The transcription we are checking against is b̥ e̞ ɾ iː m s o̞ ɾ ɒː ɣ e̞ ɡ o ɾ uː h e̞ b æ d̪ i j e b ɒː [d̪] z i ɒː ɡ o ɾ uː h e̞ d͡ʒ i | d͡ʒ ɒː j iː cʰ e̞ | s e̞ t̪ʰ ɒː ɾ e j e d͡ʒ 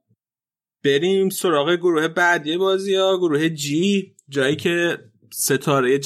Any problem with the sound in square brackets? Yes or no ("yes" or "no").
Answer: yes